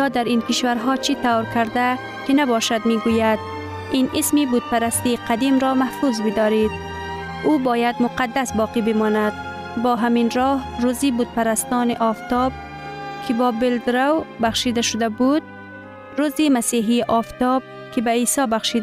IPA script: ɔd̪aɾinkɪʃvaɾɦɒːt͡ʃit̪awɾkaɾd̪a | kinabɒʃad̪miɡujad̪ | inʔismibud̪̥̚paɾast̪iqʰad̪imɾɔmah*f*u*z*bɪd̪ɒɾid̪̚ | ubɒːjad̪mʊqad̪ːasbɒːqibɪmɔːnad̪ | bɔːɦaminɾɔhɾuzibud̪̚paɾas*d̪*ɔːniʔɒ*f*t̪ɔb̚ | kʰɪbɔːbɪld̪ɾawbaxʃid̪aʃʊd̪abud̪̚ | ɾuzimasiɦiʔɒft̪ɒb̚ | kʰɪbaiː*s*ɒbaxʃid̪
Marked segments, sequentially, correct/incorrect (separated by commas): correct, correct, incorrect, correct, correct